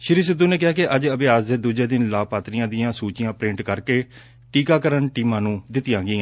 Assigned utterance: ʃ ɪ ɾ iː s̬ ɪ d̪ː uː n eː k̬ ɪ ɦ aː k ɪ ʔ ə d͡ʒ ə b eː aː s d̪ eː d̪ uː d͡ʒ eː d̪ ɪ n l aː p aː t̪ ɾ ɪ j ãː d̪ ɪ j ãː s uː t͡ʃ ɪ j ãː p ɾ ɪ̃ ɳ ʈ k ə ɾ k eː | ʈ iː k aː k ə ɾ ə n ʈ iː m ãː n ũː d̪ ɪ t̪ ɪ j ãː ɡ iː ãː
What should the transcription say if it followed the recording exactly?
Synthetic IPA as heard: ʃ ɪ ɾ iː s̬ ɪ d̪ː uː n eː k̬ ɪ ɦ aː k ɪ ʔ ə d͡ʒ ə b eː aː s d̪ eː d̪ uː d͡ʒ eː d̪ ɪ n l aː p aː t̪ ɾ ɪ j ãː d̪ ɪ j ãː s uː t͡ʃ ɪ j ãː p ɾ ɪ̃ ɳ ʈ k ə ɾ k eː | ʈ iː k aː k ə ɾ ə n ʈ iː m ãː n ũː d̪ ɪ t̪ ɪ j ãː ɡ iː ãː